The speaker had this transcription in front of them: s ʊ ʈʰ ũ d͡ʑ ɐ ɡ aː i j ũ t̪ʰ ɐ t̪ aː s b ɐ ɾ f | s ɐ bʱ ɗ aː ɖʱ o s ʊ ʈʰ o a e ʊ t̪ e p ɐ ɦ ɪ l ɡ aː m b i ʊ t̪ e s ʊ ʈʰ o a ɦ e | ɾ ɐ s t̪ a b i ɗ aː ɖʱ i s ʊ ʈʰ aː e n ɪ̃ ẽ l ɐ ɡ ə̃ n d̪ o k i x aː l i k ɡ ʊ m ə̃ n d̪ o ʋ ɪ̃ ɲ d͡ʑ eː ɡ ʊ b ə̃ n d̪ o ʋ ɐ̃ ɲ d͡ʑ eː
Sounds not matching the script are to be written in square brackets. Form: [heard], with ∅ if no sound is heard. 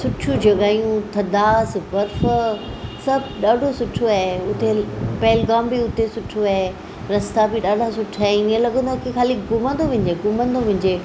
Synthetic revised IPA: s ʊ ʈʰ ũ d͡ʑ ɐ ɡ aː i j ũ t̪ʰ ɐ [d̪] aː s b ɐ ɾ f | s ɐ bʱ ɗ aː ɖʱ o s ʊ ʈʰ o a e ʊ t̪ e p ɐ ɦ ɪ l ɡ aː m b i ʊ t̪ e s ʊ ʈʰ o a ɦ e | ɾ ɐ s t̪ a b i ɗ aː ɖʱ [a] s ʊ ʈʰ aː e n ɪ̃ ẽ l ɐ ɡ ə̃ n d̪ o k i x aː l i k ɡ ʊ m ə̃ n d̪ o ʋ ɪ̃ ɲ d͡ʑ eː ɡ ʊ [m] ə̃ n d̪ o ʋ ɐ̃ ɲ d͡ʑ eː